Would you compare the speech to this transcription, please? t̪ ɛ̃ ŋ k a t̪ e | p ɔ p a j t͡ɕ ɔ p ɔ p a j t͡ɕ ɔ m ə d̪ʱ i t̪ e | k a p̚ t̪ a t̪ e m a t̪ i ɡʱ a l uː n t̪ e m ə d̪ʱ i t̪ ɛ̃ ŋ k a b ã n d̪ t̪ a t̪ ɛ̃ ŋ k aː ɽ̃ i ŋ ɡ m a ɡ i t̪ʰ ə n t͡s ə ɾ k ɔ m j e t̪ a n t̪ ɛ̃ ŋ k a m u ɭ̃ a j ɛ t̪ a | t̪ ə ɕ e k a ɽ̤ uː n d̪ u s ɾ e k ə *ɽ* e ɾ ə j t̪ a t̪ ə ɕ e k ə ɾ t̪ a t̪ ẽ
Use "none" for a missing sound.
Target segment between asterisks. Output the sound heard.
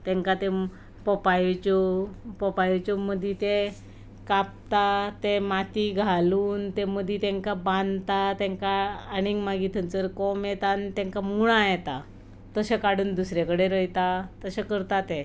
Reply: ɽ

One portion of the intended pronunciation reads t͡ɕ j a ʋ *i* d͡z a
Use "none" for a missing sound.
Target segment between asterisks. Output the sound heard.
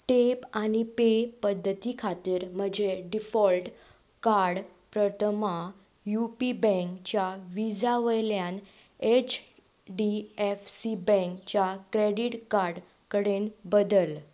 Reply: i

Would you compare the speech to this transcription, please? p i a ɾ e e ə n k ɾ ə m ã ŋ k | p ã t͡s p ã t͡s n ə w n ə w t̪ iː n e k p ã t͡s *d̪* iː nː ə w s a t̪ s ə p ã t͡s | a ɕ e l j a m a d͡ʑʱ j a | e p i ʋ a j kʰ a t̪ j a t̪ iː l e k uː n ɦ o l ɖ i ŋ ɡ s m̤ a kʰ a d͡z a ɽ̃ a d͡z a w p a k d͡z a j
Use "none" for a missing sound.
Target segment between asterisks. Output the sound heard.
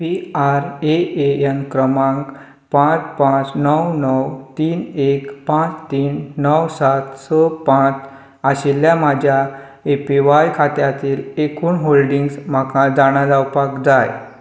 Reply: t̪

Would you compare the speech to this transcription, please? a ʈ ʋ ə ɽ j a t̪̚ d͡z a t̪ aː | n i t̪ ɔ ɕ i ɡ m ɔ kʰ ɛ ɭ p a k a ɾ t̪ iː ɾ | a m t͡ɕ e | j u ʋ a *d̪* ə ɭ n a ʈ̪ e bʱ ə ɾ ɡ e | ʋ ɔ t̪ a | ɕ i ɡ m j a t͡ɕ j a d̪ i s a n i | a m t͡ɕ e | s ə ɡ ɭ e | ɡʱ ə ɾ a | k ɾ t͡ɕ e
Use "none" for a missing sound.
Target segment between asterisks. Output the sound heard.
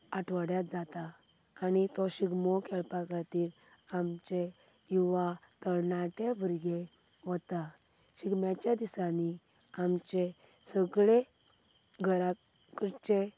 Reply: t̪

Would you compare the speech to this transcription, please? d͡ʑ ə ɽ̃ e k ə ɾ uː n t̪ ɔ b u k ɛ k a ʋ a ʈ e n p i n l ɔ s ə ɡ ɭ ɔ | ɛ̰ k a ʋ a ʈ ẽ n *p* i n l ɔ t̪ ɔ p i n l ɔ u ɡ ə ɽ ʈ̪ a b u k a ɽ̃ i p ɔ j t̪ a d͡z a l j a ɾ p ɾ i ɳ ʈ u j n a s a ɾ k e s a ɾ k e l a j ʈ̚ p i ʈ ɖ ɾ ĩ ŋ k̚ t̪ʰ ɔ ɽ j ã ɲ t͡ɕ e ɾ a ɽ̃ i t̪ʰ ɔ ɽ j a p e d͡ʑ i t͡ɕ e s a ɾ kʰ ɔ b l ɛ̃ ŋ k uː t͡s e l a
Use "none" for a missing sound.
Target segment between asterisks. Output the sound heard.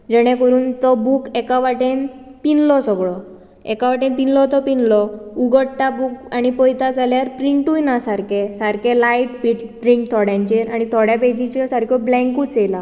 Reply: p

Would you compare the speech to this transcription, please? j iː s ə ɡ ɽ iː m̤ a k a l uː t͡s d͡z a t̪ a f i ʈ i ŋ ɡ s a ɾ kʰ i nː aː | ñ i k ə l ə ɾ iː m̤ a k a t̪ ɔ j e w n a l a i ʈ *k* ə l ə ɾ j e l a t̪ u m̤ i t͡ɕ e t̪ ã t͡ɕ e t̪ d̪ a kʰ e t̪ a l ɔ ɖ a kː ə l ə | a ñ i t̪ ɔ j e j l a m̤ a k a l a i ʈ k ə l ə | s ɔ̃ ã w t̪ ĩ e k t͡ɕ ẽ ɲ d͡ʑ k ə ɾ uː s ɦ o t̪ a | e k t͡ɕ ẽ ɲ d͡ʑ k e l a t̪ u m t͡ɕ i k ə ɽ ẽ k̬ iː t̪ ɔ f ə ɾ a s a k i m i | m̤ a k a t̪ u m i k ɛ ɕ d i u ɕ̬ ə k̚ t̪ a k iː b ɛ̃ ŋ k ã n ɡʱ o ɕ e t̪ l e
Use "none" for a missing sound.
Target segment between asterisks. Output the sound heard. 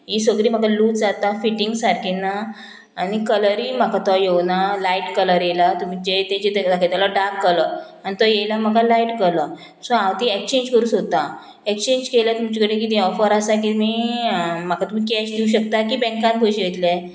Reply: k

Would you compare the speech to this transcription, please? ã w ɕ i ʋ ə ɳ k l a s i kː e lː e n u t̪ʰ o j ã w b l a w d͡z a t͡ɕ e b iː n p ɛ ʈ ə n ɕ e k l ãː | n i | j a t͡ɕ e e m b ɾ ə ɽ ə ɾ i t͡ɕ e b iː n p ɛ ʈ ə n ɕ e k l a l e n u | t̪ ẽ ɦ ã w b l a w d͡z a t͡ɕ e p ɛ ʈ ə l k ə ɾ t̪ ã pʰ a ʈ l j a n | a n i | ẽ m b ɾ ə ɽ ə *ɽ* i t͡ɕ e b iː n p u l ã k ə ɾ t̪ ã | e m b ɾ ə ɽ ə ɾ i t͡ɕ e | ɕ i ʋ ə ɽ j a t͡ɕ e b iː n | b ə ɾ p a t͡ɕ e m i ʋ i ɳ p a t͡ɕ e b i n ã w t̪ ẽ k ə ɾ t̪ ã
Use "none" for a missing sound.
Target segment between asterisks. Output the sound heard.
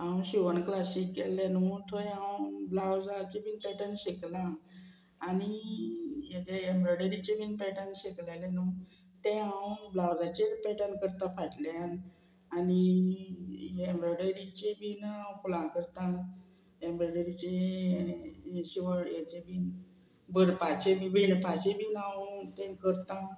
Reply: ɾ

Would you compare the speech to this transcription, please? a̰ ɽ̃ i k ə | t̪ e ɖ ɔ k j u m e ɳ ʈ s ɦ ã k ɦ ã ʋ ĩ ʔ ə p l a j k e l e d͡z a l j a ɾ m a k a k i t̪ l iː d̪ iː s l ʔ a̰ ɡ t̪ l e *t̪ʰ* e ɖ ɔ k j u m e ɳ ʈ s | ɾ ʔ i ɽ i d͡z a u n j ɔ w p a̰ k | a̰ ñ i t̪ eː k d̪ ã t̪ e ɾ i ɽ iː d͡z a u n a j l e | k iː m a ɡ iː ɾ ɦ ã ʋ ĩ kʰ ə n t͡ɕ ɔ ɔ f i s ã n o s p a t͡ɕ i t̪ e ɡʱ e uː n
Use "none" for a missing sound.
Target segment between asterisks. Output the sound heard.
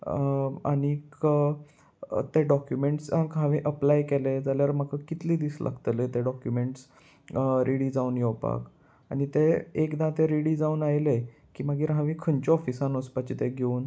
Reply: t̪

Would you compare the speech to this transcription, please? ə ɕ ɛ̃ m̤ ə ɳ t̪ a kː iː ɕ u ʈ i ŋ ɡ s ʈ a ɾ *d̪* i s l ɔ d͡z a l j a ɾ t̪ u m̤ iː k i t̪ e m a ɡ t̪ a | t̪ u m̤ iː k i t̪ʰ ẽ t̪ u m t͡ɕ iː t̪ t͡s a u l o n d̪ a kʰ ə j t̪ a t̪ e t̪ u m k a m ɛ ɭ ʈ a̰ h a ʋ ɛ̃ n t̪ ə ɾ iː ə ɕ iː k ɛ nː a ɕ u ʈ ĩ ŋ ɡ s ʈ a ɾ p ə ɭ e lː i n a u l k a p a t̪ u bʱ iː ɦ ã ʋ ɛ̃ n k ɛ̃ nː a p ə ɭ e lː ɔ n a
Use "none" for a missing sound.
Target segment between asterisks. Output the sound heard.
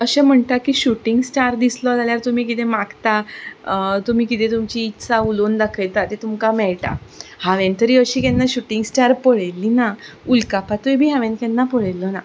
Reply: d̪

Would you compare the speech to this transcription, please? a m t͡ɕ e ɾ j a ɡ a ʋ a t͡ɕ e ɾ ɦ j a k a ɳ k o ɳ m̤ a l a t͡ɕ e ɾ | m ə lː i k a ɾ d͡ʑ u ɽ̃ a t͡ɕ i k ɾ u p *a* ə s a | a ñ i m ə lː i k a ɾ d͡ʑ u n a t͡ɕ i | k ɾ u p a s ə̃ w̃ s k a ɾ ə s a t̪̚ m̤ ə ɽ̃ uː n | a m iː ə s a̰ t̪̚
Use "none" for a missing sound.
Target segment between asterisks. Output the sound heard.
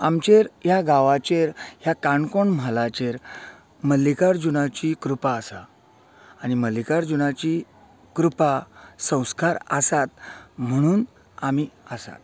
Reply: a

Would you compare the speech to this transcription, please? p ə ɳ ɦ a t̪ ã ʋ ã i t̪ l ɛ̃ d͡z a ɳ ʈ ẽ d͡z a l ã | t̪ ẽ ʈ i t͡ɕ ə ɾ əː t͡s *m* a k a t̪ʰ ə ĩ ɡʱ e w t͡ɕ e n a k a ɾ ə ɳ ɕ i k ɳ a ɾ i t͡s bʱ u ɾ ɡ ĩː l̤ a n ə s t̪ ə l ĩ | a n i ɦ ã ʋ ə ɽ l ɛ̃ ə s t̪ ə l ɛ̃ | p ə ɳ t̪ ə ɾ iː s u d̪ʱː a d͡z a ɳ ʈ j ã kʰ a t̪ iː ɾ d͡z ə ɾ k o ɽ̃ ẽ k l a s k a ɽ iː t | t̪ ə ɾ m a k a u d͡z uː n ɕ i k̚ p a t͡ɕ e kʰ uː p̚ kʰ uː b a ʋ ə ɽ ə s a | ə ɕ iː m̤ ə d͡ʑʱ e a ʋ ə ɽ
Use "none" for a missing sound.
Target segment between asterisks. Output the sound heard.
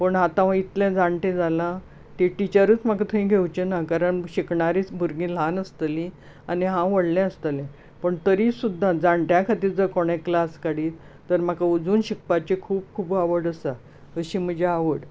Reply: m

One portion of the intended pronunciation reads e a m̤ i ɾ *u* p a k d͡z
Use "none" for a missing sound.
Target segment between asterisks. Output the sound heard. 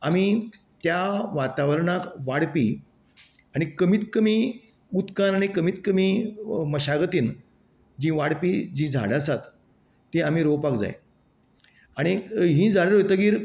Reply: o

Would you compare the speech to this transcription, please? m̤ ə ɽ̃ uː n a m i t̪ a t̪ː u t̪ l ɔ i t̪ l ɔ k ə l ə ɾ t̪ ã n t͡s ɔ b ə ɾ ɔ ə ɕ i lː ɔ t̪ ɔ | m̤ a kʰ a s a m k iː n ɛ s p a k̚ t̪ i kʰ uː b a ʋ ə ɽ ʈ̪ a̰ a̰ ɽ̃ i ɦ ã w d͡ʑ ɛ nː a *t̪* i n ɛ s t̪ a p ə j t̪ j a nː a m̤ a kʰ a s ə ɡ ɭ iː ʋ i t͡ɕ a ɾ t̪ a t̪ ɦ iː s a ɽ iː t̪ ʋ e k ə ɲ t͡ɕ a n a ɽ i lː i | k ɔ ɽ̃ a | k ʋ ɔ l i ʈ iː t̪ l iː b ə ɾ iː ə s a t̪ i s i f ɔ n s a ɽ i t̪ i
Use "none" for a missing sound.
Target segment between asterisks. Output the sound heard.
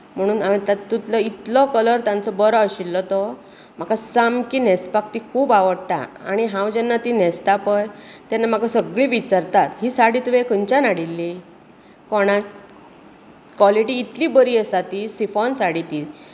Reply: t̪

